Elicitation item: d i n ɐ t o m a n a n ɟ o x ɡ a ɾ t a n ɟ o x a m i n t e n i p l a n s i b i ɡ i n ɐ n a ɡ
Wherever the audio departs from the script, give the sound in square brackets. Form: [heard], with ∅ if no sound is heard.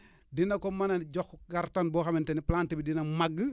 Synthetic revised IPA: d i n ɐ [k] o m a n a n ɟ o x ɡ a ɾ t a n [b] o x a m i n t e n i p l a n [t] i b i [d] i n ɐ [m] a ɡ